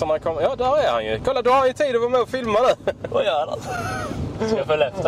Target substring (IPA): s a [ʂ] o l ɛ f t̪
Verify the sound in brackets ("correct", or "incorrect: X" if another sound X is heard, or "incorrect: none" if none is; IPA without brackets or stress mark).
incorrect: f